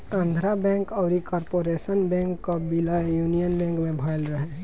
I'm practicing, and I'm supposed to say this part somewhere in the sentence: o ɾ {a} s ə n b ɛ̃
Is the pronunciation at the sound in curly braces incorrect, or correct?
incorrect